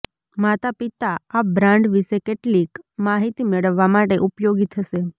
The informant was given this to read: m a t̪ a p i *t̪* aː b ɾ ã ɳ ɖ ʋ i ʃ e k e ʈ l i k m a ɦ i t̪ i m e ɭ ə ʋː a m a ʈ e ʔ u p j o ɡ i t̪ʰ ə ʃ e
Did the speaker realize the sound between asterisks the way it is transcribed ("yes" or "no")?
yes